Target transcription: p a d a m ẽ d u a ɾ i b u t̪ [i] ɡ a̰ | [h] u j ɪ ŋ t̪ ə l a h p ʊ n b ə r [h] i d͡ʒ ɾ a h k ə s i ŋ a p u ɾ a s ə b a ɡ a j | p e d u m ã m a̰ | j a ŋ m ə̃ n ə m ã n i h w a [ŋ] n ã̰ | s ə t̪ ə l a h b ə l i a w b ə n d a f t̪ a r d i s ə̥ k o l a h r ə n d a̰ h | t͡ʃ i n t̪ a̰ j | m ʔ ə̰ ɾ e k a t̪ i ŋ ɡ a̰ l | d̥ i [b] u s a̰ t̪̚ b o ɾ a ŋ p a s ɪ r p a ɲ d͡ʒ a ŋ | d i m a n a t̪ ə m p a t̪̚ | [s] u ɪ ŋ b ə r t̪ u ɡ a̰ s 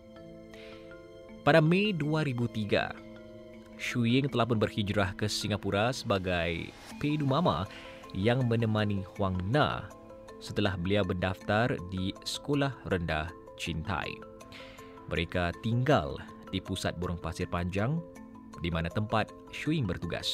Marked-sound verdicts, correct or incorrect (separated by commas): correct, incorrect, correct, correct, incorrect, incorrect